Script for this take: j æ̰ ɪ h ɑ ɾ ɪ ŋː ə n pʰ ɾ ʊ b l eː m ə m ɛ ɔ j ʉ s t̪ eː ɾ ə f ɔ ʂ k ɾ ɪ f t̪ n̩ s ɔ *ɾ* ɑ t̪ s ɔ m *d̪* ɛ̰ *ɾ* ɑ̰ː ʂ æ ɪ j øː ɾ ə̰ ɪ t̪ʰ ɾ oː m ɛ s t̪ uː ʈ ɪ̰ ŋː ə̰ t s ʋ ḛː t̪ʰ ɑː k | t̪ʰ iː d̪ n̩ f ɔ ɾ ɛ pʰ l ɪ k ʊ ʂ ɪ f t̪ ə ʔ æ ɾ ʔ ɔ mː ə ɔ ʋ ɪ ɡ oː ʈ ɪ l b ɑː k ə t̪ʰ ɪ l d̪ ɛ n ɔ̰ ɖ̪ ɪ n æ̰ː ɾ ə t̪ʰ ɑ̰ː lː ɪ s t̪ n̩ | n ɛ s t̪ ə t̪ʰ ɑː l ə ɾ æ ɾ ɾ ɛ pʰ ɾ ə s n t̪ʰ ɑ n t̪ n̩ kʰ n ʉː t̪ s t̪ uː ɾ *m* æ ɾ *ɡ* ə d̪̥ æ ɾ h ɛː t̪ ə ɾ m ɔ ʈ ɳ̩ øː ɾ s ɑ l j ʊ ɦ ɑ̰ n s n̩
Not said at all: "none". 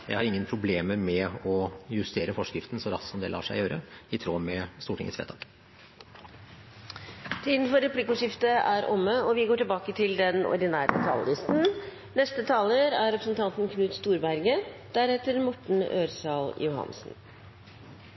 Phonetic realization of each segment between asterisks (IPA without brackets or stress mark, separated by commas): ɾ, d̪, l, b, ɡ